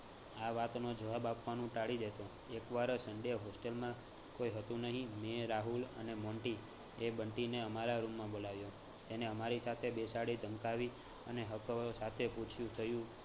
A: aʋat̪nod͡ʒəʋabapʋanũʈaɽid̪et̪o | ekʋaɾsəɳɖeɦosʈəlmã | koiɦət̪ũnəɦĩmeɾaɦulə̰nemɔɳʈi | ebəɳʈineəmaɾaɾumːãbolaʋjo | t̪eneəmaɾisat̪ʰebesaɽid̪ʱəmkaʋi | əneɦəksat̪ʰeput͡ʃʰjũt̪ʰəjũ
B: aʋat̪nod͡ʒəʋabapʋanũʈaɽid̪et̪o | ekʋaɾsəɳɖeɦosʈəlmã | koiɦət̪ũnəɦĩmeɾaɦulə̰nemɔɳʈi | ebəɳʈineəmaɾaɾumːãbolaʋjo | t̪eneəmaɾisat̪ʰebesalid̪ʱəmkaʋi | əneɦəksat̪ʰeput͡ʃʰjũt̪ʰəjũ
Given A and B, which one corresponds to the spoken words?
A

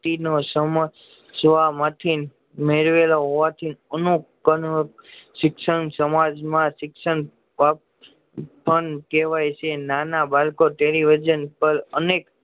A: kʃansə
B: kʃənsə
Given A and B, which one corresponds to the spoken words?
B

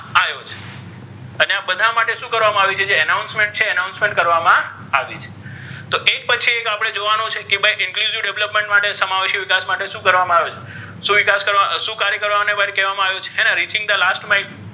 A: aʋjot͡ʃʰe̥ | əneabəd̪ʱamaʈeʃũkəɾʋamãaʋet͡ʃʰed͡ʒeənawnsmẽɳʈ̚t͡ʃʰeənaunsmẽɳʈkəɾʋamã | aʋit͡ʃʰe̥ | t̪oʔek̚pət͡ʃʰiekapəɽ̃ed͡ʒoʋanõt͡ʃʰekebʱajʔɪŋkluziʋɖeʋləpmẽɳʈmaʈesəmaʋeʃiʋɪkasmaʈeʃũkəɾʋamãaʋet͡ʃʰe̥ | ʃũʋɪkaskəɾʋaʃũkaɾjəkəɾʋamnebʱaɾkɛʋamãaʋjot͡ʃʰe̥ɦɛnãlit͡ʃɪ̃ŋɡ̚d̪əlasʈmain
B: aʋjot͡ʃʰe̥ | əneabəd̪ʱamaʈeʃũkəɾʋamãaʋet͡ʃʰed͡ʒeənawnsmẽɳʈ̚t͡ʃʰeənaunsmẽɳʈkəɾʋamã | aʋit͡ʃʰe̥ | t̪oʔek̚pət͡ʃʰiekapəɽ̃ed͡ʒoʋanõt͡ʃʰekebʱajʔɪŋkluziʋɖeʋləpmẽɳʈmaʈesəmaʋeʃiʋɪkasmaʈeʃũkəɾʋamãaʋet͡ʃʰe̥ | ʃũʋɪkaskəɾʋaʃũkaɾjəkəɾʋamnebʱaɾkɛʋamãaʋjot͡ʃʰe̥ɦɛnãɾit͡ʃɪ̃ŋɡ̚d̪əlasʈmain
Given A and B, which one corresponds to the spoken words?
B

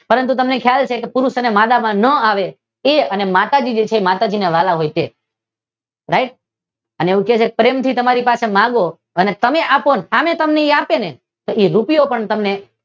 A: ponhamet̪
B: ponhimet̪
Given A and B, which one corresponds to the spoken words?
A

